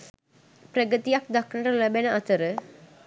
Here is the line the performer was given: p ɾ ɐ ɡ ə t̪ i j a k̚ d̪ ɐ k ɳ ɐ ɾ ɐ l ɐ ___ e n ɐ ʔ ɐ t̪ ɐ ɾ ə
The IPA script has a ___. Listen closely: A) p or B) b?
B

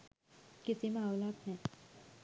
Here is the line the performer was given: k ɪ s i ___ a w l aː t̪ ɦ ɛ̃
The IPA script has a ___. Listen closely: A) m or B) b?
A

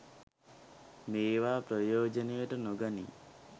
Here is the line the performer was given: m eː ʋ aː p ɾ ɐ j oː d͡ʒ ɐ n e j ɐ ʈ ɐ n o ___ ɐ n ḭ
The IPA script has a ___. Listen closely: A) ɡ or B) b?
A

